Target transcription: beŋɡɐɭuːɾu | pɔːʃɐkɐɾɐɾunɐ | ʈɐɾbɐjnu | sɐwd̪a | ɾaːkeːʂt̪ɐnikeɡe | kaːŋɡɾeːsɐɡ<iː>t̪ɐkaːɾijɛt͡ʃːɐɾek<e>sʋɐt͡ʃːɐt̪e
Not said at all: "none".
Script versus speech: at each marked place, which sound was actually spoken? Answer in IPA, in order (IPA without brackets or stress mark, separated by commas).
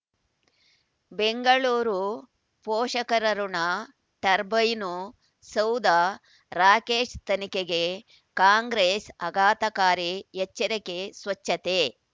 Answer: aː, e